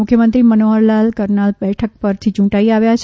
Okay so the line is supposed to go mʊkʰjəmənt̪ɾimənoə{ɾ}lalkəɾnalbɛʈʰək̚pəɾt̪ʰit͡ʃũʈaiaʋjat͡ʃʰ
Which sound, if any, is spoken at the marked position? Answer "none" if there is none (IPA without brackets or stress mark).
ɾ